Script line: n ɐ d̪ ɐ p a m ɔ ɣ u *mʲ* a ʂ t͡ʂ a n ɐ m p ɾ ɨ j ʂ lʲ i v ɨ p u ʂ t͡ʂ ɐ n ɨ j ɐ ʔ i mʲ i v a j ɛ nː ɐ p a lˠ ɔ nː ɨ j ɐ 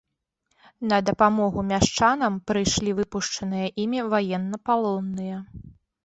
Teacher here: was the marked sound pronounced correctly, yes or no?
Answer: yes